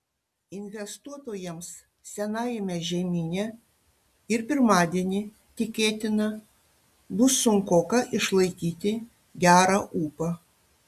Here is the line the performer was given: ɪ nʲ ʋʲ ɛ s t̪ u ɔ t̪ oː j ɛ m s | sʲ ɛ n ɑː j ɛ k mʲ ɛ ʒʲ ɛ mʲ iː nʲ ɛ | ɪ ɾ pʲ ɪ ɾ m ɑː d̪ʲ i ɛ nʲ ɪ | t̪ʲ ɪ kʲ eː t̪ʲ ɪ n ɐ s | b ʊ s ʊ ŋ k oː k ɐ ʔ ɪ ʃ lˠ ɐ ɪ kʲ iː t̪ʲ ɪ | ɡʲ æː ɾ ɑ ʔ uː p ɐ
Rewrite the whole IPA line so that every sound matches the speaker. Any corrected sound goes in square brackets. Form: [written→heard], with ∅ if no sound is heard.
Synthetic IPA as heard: ɪ nʲ ʋʲ ɛ s t̪ u ɔ t̪ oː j ɛ m s | sʲ ɛ n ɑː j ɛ [k→∅] mʲ ɛ ʒʲ ɛ mʲ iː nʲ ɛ | ɪ ɾ pʲ ɪ ɾ m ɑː d̪ʲ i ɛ nʲ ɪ | t̪ʲ ɪ kʲ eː t̪ʲ ɪ n ɐ [s→∅] | b ʊ s ʊ ŋ k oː k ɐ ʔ ɪ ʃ lˠ ɐ ɪ kʲ iː t̪ʲ ɪ | ɡʲ æː ɾ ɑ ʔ uː p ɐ